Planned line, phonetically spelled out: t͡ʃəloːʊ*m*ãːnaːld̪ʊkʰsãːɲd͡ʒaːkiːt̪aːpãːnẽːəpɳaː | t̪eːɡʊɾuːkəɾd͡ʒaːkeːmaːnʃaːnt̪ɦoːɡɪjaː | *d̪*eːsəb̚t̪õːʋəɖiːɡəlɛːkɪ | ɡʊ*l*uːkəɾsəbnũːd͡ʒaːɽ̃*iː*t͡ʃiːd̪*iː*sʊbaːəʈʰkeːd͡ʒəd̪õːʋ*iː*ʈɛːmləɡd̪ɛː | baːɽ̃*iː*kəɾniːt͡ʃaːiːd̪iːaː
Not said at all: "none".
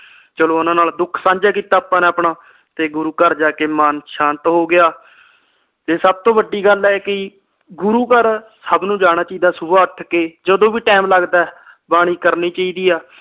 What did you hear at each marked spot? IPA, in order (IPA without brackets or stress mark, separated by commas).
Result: n, t̪, ɾ, aː, aː, iː, iː